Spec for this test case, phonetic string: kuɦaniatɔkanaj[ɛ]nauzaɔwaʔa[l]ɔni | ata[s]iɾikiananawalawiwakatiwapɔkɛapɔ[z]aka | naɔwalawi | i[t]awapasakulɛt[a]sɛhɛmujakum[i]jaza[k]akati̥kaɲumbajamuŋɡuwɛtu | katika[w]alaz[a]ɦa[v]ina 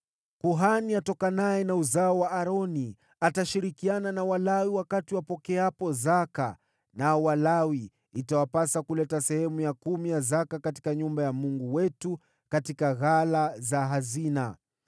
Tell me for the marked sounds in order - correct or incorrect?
correct, incorrect, incorrect, correct, correct, correct, correct, correct, incorrect, correct, incorrect

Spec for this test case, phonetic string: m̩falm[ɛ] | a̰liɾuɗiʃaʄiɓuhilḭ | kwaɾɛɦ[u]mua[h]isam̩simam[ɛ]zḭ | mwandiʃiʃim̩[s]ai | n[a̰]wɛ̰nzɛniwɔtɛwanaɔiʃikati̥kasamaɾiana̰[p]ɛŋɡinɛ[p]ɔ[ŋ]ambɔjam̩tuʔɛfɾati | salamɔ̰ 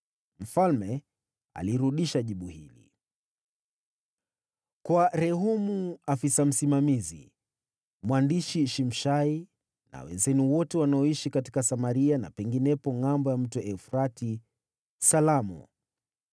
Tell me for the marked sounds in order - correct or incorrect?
correct, correct, incorrect, incorrect, incorrect, correct, correct, correct, correct

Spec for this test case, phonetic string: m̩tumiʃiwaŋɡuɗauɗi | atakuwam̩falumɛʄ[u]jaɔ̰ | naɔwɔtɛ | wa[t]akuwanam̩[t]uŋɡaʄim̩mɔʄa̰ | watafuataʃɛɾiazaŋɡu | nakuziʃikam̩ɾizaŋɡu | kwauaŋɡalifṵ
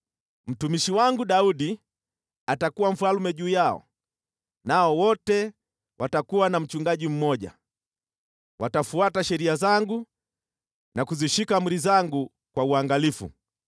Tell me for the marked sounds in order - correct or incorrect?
incorrect, correct, incorrect

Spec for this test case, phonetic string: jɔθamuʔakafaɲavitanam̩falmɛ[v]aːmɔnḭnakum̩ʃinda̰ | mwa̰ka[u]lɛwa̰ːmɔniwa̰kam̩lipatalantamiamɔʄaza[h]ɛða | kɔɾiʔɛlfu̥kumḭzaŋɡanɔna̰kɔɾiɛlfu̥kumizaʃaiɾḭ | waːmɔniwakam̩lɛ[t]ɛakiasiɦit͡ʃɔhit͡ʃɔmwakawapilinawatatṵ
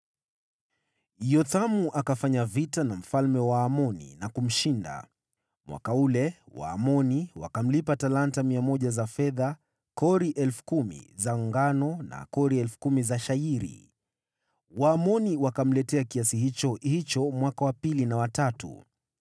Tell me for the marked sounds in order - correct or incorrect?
incorrect, correct, incorrect, correct

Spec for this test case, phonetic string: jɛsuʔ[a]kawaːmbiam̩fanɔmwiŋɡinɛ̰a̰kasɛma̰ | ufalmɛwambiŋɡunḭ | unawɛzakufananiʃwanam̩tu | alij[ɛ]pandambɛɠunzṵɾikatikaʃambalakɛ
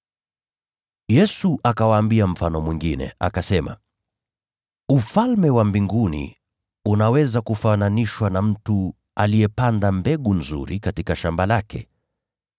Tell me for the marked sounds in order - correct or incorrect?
correct, correct

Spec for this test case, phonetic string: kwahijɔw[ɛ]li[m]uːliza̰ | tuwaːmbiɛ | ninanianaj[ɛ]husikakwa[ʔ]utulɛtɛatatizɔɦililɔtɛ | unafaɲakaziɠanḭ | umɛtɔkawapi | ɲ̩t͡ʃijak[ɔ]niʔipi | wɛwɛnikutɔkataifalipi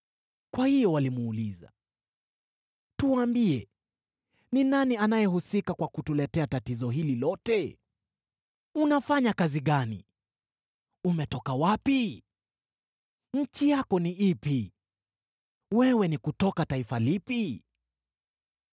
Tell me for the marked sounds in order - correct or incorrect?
incorrect, correct, correct, incorrect, correct

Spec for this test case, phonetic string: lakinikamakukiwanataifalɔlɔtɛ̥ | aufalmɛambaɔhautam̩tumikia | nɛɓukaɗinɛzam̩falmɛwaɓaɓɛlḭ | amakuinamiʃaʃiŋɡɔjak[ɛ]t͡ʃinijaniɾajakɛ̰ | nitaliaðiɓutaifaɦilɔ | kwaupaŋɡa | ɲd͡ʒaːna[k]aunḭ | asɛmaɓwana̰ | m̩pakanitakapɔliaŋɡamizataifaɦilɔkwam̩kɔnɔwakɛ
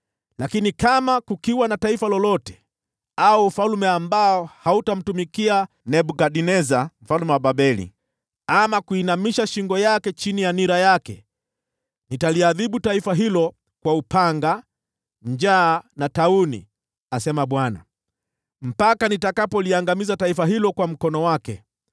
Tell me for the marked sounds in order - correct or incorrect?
correct, incorrect

